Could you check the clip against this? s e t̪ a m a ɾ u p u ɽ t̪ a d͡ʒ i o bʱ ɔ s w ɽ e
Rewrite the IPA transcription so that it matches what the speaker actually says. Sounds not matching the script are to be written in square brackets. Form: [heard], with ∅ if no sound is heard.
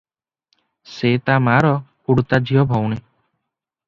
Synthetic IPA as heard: s e t̪ a m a ɾ [ɔ] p u ɽ t̪ a d͡ʒ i [ɔ] bʱ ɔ [∅] w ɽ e